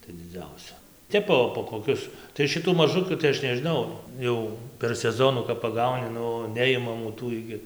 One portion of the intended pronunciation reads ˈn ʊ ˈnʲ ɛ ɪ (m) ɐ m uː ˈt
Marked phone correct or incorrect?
correct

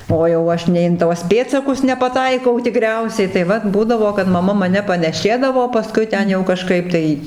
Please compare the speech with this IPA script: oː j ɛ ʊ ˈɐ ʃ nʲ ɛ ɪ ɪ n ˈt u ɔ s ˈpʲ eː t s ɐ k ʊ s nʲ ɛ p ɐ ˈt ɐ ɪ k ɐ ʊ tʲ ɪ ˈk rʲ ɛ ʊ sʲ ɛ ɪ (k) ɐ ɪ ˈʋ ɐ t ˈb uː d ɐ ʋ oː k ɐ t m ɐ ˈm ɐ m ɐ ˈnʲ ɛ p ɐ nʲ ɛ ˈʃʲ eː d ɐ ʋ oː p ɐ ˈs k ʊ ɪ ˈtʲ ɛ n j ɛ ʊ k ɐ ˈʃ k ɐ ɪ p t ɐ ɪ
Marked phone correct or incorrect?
incorrect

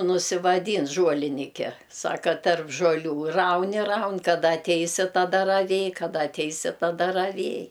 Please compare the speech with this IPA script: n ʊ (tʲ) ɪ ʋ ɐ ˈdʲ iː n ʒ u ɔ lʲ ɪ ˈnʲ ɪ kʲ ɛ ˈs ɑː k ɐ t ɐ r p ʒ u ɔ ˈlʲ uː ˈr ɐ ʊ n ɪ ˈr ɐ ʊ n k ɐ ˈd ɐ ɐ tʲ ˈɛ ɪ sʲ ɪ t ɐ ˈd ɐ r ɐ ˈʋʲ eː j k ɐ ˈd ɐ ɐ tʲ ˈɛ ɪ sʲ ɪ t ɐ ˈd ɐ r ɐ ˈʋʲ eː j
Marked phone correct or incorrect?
incorrect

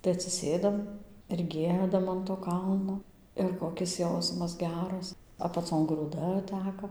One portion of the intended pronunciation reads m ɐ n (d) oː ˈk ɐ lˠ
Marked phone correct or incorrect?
incorrect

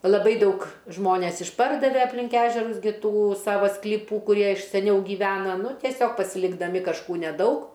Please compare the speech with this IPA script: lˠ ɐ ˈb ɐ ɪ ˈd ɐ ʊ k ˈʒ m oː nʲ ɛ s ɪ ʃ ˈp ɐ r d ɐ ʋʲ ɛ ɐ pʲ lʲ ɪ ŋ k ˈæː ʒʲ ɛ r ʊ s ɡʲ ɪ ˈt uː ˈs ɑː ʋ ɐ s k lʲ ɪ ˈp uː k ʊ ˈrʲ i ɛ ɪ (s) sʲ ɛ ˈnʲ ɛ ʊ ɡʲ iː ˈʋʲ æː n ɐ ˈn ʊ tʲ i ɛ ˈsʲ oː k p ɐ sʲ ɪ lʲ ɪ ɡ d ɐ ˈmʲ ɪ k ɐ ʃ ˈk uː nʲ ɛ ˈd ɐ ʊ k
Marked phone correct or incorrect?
incorrect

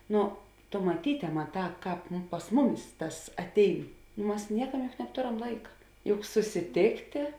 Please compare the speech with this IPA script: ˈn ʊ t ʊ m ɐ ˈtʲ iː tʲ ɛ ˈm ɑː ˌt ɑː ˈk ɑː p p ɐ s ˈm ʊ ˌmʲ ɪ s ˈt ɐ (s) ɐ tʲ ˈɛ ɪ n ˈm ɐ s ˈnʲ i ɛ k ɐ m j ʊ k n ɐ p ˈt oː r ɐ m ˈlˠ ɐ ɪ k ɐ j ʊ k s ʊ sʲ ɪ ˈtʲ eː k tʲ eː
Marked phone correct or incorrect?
correct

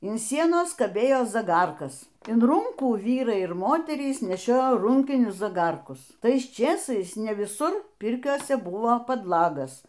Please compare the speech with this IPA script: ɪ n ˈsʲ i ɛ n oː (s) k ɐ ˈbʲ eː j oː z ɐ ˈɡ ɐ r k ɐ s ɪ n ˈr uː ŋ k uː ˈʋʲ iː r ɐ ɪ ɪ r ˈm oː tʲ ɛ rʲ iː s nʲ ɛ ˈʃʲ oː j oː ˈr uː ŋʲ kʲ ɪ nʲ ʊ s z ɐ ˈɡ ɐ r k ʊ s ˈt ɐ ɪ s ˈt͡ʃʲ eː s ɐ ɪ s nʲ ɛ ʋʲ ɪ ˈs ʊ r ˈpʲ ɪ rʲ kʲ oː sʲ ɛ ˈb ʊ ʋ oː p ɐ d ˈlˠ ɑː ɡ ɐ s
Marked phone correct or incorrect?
correct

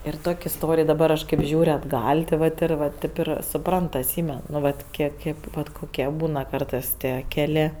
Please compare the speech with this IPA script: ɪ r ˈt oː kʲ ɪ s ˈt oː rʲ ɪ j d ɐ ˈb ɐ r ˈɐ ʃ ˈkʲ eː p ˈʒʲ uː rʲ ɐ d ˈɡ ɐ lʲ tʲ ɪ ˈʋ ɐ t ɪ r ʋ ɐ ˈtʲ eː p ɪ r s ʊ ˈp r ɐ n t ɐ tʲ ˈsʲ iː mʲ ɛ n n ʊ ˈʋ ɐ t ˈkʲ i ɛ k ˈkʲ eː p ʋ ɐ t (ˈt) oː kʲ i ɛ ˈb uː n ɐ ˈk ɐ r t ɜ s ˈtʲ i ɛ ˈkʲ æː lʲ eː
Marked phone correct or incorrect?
incorrect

